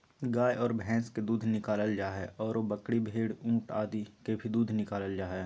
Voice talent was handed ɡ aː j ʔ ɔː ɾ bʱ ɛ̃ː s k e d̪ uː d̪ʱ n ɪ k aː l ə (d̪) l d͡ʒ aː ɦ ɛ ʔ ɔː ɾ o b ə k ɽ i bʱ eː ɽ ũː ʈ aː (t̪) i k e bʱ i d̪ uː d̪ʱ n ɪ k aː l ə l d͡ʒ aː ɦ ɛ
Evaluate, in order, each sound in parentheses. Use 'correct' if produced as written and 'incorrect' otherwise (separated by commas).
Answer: incorrect, incorrect